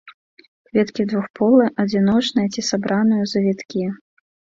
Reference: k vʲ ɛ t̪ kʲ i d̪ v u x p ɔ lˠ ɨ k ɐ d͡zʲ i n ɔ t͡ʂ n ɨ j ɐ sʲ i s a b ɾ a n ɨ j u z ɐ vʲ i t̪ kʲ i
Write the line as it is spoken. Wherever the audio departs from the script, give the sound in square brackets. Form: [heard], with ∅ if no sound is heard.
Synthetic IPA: k vʲ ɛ t̪ kʲ i d̪ v u x p ɔ lˠ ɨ [ʔ] ɐ d͡zʲ i n ɔ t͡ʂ n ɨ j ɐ [t͡sʲ] i s a b ɾ a n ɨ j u z ɐ vʲ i t̪ kʲ i